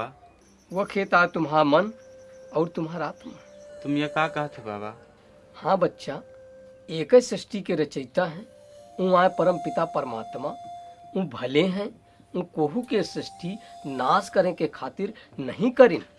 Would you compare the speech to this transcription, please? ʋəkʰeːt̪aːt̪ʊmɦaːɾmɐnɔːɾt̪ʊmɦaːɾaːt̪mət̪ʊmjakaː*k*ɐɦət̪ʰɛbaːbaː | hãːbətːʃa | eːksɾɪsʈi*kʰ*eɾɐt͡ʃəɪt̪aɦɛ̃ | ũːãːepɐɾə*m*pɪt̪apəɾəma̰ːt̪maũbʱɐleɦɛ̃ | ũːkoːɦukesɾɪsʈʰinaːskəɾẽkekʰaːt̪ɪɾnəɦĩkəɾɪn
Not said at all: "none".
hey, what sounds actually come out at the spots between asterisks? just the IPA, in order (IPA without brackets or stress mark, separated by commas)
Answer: k, k, m